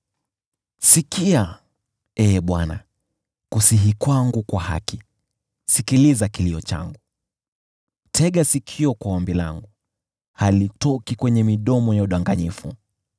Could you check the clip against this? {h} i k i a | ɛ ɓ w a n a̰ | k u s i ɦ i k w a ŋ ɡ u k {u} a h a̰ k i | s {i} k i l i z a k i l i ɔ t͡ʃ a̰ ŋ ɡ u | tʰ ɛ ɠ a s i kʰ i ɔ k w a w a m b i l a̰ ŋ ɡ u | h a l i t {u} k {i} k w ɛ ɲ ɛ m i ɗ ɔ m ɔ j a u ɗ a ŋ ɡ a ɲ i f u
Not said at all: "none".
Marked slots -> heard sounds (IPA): s, w, i, ɔ, i

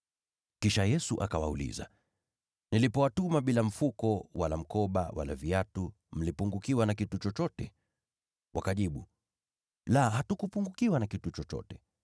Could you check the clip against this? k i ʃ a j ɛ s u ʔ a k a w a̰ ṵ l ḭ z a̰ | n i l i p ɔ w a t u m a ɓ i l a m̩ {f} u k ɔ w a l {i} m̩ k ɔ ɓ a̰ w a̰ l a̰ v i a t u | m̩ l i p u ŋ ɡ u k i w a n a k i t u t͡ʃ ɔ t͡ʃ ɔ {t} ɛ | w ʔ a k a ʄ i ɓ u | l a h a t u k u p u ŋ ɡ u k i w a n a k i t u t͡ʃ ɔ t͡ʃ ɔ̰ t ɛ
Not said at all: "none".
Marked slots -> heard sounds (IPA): f, a, t

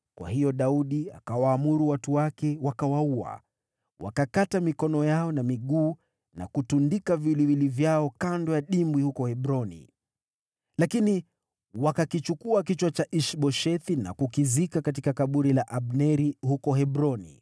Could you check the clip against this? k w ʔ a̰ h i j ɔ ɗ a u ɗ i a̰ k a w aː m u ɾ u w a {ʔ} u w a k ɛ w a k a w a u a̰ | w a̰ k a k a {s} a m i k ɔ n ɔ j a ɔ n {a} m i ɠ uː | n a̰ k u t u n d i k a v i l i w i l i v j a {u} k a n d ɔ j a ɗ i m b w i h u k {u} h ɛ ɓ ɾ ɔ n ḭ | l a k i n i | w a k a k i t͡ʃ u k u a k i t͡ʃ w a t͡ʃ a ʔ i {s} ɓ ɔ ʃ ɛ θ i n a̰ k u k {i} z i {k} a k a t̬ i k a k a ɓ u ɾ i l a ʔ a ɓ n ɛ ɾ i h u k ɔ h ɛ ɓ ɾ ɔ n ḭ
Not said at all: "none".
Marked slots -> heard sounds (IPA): t, t, a, ɔ, ɔ, ʃ, i, k

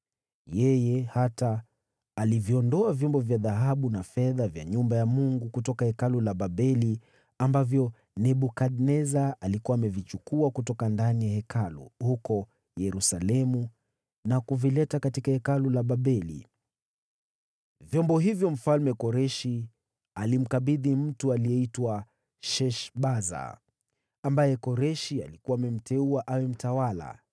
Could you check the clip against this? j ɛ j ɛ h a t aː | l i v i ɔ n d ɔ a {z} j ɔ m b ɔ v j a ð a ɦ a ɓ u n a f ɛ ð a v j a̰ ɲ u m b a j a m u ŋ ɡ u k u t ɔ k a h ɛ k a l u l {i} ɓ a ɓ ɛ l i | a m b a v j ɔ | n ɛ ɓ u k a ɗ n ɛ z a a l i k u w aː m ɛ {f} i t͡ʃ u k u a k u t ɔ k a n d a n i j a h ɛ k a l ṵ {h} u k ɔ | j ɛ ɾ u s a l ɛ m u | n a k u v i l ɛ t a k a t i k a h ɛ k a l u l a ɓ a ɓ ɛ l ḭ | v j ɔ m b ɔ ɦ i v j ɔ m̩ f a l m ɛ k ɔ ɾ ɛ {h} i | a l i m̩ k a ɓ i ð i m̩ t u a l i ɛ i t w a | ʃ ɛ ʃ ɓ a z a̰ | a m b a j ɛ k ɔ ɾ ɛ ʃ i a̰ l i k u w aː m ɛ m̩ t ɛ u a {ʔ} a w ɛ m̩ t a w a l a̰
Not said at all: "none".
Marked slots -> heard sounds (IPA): v, a, v, h, ʃ, ʔ

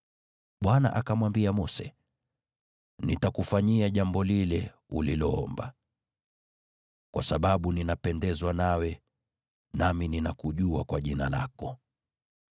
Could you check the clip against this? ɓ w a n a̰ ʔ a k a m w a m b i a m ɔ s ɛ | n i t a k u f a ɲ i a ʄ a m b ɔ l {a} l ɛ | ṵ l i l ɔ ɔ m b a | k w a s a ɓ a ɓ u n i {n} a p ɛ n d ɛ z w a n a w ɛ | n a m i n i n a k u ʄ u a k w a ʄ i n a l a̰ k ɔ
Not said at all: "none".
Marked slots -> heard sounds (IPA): i, n

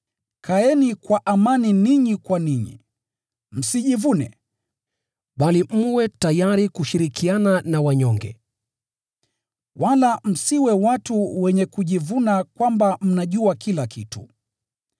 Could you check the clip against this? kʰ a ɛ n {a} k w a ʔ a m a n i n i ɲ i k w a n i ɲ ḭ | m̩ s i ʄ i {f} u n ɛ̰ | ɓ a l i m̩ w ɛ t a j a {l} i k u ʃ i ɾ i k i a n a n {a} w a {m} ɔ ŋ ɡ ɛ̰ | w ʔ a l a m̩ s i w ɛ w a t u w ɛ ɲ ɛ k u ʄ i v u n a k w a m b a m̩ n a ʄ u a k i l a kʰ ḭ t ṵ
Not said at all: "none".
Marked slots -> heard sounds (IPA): i, v, ɾ, a, ɲ

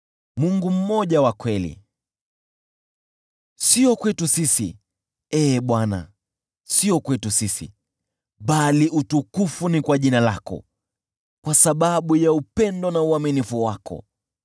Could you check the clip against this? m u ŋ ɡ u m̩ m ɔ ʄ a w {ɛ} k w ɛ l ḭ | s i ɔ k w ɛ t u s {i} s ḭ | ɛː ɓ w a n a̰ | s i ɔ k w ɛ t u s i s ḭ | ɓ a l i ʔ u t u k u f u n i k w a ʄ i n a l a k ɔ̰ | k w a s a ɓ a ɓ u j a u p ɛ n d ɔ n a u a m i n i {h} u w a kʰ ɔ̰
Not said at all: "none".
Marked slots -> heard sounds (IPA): a, i, f

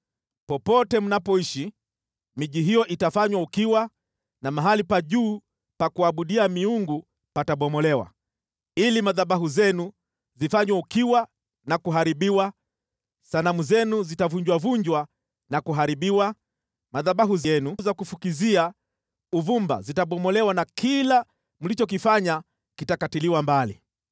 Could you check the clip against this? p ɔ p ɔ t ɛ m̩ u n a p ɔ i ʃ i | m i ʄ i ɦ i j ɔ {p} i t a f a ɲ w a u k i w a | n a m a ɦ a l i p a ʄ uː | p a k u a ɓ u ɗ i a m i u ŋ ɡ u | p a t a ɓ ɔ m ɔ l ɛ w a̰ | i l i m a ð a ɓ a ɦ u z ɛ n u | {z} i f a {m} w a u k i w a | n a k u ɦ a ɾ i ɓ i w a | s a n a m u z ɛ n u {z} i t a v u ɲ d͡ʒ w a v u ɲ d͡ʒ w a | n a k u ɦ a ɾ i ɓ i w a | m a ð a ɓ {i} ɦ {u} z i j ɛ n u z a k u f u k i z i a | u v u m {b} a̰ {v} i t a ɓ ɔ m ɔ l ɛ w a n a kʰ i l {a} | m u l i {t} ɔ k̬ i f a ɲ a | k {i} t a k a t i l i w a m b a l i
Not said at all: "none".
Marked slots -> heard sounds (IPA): ʔ, z, ɲ, z, a, u, b, z, a, t͡ʃ, i

